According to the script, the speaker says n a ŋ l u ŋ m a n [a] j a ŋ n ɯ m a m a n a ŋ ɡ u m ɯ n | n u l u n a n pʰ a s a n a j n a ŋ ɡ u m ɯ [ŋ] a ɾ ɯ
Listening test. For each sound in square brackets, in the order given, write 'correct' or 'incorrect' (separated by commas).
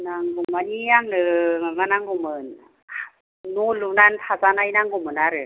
incorrect, incorrect